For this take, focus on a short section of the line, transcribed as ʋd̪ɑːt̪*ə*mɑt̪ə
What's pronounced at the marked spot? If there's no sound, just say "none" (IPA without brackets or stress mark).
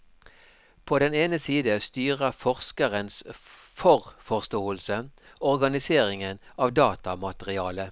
ɑ